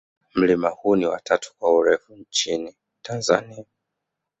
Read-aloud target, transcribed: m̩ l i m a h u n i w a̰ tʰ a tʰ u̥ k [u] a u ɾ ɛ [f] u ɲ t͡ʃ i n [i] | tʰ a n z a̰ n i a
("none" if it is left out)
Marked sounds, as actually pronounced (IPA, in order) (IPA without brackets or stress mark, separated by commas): w, f, i